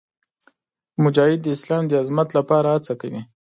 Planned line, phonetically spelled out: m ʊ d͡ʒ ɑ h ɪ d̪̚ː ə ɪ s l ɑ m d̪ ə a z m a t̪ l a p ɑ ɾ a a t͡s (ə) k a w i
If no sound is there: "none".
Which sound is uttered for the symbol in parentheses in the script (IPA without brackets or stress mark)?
a